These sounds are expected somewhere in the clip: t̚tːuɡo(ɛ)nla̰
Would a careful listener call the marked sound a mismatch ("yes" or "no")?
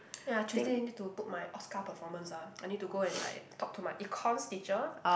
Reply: yes